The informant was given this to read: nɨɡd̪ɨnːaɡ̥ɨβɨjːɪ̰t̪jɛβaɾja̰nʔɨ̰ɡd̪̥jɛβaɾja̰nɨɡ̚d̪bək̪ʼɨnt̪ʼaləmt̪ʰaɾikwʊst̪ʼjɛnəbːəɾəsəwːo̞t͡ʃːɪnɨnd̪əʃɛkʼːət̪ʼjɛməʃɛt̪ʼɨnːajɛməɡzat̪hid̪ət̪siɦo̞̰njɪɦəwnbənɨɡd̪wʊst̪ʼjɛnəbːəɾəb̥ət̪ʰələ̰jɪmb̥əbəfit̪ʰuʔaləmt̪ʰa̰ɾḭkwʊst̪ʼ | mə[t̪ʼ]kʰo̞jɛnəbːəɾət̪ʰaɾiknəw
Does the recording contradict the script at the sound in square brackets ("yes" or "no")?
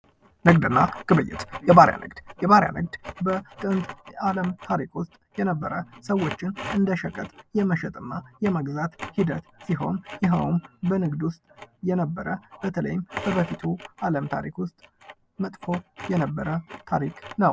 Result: no